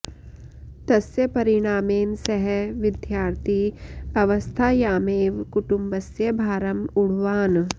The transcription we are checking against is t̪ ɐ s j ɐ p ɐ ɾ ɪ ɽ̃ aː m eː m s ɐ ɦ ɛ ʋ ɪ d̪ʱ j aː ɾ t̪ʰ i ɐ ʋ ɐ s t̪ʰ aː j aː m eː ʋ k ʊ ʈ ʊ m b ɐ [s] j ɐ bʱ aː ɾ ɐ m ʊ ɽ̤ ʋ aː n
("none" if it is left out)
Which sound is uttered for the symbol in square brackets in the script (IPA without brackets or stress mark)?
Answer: s